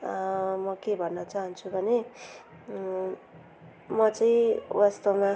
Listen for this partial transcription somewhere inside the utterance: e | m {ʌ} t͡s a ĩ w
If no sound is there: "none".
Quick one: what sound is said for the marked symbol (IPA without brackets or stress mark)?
ʌ